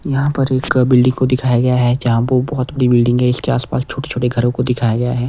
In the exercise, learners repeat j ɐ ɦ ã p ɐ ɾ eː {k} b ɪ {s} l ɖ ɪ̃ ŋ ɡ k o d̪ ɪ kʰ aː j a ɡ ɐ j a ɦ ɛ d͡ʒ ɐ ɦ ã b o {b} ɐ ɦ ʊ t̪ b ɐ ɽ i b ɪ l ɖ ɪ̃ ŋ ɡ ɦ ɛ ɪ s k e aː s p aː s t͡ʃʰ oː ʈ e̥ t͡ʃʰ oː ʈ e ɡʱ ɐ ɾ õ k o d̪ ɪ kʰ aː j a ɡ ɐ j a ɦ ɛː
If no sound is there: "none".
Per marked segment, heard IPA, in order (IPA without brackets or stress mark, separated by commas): k, none, b